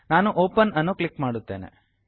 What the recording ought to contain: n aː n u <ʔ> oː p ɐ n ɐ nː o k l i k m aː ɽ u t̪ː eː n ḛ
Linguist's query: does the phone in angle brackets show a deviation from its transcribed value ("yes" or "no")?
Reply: no